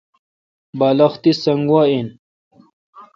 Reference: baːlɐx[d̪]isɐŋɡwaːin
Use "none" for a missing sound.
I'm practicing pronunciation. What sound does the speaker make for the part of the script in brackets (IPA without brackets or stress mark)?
t̪